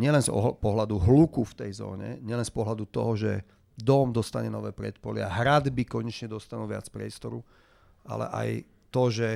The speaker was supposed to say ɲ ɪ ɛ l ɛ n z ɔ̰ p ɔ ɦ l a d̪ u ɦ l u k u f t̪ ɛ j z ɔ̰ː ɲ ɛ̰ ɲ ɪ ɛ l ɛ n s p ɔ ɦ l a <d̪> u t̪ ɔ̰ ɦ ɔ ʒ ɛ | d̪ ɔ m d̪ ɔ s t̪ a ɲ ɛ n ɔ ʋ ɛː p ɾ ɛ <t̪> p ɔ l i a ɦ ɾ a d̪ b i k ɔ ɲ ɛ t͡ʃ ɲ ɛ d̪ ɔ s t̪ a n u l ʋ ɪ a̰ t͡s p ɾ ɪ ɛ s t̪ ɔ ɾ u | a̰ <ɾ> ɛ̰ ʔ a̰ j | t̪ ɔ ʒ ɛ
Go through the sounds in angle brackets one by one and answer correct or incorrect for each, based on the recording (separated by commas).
correct, correct, incorrect